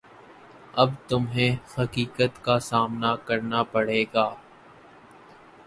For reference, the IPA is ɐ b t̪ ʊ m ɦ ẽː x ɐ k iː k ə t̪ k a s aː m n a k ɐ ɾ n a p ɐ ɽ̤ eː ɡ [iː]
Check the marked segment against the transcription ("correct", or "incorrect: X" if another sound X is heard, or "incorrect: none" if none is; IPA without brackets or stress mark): incorrect: aː